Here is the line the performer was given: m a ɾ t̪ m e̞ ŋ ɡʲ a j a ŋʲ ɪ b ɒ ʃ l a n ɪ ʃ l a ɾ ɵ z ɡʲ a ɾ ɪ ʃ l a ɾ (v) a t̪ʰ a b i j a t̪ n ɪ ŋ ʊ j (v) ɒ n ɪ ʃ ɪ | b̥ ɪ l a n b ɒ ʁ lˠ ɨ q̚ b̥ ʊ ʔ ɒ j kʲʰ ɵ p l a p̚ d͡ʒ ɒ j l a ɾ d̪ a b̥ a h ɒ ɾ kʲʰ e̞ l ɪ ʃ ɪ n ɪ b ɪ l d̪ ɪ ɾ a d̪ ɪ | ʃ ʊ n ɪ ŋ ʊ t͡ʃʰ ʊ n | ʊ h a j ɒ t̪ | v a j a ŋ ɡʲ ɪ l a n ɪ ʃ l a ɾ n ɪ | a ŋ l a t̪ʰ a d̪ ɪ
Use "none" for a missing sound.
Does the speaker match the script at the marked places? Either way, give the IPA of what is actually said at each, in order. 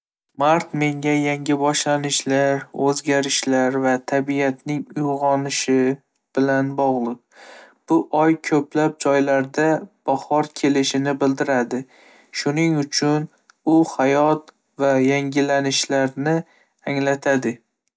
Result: v, ʁ

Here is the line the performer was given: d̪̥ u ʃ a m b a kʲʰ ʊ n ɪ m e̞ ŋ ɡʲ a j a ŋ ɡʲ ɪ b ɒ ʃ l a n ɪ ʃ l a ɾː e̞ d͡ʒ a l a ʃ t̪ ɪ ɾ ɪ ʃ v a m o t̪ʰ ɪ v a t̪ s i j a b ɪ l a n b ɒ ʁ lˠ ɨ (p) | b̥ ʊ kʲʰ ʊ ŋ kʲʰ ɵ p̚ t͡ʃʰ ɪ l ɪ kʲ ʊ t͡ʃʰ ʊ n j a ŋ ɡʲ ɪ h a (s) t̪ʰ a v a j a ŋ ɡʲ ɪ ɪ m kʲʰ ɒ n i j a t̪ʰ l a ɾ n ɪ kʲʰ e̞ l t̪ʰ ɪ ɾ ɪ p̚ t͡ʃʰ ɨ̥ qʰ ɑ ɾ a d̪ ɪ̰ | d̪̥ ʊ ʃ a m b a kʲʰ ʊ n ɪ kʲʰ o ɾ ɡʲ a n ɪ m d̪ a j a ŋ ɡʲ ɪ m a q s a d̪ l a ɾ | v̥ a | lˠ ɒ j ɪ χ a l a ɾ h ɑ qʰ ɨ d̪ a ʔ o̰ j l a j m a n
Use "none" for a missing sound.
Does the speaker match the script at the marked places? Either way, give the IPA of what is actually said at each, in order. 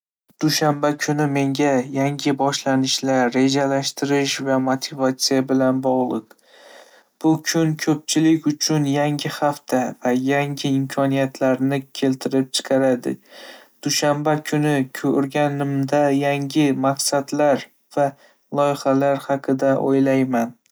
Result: q, f

